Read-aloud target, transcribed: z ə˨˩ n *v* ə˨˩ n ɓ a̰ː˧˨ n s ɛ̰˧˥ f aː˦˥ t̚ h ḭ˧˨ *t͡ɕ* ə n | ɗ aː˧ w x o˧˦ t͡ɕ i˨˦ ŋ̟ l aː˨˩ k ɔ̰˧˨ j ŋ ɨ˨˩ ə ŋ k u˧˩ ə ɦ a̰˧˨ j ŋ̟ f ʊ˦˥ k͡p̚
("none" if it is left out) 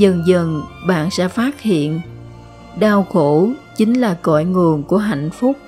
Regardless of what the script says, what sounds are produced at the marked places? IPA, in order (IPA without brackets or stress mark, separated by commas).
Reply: z, none